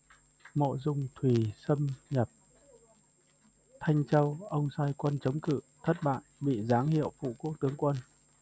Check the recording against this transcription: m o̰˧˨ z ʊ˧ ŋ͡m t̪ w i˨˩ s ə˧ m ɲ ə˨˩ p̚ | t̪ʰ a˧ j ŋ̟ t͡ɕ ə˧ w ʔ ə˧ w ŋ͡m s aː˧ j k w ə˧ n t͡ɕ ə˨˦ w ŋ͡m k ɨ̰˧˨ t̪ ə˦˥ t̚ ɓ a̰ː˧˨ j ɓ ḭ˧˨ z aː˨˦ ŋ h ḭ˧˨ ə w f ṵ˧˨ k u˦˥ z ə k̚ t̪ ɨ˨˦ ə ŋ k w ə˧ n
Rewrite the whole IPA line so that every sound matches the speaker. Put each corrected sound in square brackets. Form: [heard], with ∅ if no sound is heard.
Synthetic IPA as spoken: m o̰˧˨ z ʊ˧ ŋ͡m [t̪ʰ] w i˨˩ s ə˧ m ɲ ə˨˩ p̚ | t̪ʰ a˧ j ŋ̟ t͡ɕ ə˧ w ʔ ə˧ w ŋ͡m s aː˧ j k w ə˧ n t͡ɕ ə˨˦ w ŋ͡m k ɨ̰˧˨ [t̪ʰ] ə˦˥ t̚ ɓ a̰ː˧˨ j ɓ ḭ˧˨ z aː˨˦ ŋ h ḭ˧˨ ə w f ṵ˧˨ k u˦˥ [∅] ə k̚ t̪ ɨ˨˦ ə ŋ k w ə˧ n